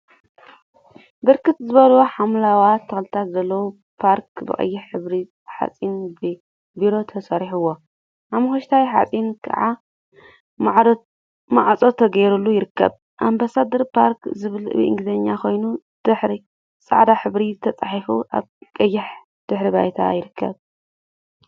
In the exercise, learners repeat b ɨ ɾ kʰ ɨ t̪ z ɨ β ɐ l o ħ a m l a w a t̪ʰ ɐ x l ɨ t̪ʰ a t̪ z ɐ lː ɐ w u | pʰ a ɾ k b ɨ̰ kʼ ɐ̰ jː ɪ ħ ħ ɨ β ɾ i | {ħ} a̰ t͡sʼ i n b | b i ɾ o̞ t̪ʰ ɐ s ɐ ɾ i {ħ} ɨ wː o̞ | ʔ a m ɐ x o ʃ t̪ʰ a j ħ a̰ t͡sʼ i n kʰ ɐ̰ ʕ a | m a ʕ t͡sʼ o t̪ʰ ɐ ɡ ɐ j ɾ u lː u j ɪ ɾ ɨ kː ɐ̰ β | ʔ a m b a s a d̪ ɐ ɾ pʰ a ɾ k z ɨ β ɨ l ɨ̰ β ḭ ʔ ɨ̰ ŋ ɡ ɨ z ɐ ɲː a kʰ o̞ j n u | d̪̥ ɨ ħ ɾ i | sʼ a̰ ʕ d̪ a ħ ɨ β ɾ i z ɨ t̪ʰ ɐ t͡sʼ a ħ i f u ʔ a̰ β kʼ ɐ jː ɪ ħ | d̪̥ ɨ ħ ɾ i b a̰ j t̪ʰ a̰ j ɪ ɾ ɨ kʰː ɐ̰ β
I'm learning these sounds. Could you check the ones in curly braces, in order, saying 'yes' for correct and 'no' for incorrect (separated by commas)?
yes, yes